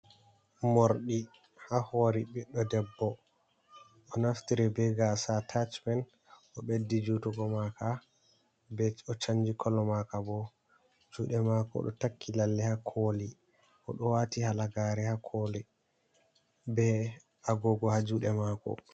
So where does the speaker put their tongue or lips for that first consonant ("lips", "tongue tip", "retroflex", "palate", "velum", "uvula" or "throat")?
lips